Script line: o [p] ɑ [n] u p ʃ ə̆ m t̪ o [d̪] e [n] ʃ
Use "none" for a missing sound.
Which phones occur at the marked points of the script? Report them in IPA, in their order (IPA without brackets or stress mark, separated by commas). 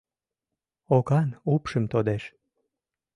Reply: k, n, d̪, none